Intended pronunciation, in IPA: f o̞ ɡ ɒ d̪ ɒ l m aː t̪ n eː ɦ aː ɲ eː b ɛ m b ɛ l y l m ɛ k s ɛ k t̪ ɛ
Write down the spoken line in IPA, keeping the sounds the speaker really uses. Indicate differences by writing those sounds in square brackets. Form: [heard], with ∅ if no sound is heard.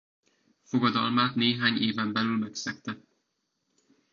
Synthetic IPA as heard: f o̞ ɡ ɒ d̪ ɒ l m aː t̪ n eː ɦ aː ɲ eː [v] ɛ m b ɛ l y l m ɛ k s ɛ k t̪ ɛ